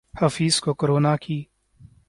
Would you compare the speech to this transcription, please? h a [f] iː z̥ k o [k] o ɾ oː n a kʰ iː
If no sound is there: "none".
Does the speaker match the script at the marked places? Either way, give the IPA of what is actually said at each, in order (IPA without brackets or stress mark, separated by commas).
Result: f, k